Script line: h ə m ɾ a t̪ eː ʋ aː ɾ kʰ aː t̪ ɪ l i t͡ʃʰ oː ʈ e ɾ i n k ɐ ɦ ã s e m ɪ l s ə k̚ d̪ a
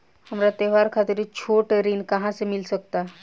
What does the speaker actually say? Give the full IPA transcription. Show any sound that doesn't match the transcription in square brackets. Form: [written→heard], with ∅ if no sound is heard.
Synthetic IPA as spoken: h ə m ɾ a t̪ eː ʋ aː ɾ kʰ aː t̪ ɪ [l→ɾ] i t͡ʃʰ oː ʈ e ɾ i n k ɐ ɦ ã s e m ɪ l s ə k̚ [d̪→t̪] a